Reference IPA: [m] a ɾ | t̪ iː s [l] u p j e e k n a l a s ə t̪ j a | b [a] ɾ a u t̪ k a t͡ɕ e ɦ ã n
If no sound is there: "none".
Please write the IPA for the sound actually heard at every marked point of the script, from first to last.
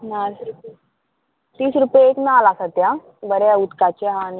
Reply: n, ɾ, ə

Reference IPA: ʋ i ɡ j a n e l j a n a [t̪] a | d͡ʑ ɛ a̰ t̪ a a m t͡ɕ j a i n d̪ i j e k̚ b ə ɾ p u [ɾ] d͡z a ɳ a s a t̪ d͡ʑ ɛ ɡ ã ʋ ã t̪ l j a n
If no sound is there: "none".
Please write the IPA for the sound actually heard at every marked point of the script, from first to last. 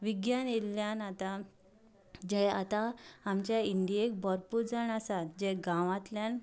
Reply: t̪, ɾ

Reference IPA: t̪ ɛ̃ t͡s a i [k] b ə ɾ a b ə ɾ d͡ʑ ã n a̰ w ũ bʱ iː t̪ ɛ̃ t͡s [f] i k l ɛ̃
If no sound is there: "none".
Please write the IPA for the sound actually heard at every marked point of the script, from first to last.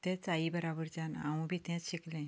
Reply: none, ɕ

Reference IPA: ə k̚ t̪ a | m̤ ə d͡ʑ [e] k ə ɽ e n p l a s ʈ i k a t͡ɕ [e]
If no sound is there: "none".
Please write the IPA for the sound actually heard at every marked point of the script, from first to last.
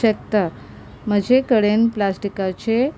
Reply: e, e

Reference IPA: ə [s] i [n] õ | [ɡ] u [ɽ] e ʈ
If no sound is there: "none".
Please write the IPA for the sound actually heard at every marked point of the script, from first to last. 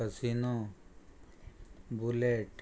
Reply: s, n, b, l

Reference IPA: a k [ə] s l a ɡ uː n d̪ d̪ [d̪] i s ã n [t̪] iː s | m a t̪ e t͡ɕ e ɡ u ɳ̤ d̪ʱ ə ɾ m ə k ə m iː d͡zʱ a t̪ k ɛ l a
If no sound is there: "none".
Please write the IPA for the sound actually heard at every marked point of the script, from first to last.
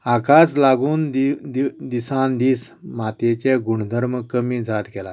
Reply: a, d̪, d̪

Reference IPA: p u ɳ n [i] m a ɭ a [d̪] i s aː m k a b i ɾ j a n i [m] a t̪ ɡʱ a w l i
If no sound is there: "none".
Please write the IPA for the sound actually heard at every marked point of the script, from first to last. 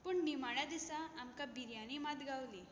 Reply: i, d̪, m

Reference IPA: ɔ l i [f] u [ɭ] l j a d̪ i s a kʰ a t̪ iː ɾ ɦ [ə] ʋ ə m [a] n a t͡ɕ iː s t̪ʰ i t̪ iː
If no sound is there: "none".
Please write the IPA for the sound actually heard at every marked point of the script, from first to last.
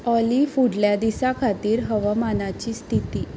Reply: f, ɽ, ə, a

